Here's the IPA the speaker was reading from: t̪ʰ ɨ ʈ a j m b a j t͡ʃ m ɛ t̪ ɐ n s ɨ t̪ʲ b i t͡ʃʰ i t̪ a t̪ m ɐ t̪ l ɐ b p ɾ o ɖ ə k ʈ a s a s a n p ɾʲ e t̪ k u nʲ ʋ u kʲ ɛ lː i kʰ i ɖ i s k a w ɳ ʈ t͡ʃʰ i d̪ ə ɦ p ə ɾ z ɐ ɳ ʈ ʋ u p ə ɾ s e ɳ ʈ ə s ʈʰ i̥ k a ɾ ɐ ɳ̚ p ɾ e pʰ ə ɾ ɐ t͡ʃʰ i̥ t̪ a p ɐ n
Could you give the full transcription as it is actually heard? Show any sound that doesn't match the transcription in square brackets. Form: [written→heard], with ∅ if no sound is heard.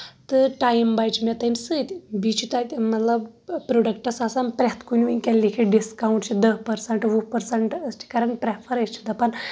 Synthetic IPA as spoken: [t̪ʰ→t̪] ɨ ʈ a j m b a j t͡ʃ m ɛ t̪ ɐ n s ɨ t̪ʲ b i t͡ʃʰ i t̪ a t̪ m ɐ t̪ l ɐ b p ɾ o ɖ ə k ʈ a s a s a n p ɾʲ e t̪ k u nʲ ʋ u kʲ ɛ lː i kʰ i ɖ i s k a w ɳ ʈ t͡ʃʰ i d̪ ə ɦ p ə ɾ [z→s] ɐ ɳ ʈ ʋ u p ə ɾ s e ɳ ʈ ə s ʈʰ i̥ k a ɾ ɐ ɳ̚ p ɾ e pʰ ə ɾ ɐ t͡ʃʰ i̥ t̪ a p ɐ n